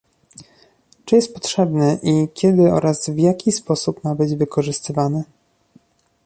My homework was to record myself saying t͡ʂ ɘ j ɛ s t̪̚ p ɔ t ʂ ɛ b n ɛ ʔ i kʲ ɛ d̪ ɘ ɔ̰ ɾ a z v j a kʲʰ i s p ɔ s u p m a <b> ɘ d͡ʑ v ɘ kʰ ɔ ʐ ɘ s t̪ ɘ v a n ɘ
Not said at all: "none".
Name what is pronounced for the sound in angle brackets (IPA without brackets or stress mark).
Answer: b